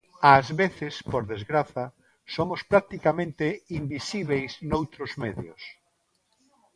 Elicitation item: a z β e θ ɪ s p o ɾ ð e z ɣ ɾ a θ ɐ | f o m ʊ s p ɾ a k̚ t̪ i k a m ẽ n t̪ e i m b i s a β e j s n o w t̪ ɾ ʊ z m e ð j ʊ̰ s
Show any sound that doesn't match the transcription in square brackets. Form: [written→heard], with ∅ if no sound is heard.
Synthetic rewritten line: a z β e θ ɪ s p o ɾ ð e z ɣ ɾ a θ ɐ | [f→s] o m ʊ s p ɾ a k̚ t̪ i k a m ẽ n t̪ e i m b i s [a→i] β e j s n o w t̪ ɾ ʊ z m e ð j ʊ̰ s